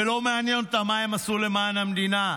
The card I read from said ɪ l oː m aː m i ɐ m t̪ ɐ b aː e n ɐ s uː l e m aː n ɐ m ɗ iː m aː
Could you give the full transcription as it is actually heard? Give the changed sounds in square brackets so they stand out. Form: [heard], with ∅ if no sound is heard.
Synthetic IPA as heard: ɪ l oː m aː [n] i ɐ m t̪ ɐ [m] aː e [m] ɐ s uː l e m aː n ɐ m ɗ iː [n] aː